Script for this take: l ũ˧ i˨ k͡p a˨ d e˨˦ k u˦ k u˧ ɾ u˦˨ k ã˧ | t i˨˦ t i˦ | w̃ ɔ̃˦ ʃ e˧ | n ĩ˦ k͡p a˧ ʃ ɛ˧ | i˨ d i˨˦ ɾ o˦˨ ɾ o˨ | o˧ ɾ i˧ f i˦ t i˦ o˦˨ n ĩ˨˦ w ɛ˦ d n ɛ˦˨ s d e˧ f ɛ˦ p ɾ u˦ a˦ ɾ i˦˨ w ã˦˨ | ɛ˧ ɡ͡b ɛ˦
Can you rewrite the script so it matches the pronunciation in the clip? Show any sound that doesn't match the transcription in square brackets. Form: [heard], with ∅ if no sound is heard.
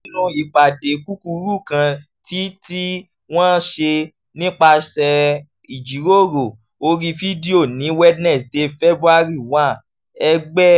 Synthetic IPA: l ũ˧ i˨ k͡p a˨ d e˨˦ k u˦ k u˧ ɾ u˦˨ k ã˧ | t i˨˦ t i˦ | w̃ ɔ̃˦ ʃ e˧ | n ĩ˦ k͡p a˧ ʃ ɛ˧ | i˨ [d͡ʒ] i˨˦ ɾ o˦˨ ɾ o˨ | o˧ ɾ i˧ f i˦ [d] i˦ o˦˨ n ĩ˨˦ w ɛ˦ d n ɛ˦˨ s d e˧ f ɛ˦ [b] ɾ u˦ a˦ ɾ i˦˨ w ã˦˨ | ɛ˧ ɡ͡b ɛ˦